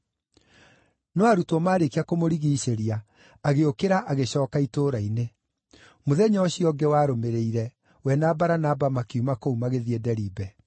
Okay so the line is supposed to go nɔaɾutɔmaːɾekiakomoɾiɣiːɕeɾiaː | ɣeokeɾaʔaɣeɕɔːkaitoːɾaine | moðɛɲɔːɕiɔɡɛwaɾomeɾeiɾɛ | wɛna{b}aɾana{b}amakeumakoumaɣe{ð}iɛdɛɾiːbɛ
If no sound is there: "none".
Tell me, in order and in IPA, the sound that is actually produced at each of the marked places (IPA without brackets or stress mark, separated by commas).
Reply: b, b, ð